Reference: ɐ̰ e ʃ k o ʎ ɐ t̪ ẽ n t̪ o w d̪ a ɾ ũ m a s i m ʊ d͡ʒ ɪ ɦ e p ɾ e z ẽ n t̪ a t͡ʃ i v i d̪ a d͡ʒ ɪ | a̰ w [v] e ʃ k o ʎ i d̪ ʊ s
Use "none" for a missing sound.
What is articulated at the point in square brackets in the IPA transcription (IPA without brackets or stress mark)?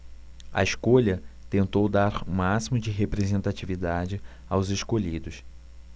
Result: z